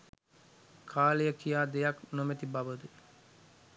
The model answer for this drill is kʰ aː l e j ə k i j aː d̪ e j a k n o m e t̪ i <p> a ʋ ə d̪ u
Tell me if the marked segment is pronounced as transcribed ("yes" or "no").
no